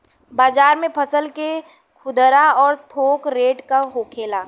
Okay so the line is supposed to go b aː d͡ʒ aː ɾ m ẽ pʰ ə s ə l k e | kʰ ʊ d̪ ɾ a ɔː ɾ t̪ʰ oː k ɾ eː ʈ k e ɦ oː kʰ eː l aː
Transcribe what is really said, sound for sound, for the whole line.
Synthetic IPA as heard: b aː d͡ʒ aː ɾ m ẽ pʰ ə s ə l k e | kʰ ʊ d̪ ɾ a ɔː ɾ t̪ʰ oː k ɾ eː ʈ k a ɦ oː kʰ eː l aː